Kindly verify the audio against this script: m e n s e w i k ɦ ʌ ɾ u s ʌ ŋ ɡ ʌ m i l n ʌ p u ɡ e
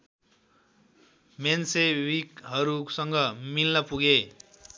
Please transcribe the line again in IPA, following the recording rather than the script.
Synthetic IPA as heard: m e n s e w i k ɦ ʌ ɾ u s ʌ ŋ ɡ ʌ m i l n ʌ p u ɡ e

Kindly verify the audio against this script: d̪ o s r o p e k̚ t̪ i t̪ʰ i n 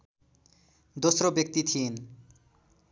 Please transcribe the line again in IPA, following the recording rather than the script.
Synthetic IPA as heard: d̪ o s ɾ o b e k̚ t̪ i t̪ʰ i n

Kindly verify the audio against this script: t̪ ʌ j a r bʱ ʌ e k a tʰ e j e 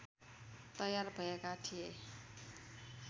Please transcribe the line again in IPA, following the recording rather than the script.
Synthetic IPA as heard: t̪ ʌ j a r bʱ ʌ e k a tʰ i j e

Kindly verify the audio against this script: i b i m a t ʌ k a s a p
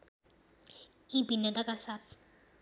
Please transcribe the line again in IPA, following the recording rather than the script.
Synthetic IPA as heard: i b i n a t a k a s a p

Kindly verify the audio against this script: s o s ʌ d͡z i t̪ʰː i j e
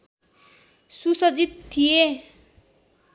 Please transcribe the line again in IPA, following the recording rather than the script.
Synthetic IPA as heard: s u s ʌ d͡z i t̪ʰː i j e

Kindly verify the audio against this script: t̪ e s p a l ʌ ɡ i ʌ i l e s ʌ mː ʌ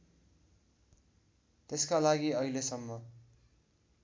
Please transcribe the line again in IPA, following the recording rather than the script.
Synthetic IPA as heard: t̪ e s k a l a ɡ i ʌ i l e s ʌ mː ʌ

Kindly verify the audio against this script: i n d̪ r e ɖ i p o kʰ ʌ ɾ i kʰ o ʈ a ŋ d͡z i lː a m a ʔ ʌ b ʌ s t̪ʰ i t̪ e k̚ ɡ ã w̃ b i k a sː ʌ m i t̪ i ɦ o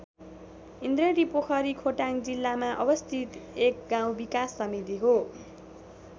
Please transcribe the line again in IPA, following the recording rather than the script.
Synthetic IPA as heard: i n d̪ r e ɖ i p o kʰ ʌ ɾ i kʰ o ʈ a ŋ d͡z i lː a m a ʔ ʌ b ʌ s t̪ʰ i t̪ e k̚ ɡ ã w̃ b i k a sː ʌ m i t̪ i ɦ o

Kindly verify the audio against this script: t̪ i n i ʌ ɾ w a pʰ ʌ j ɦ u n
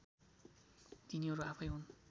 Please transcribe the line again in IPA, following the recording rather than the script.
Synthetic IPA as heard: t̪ i n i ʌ ɾ u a pʰ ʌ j ɦ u n

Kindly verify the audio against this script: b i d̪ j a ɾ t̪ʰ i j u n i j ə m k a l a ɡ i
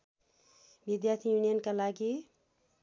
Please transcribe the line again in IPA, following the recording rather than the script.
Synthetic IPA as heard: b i d̪ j a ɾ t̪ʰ i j u n i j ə n k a l a ɡ i

